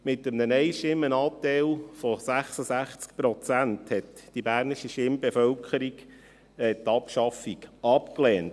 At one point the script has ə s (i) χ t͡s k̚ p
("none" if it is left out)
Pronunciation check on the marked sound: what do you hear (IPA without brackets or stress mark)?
æ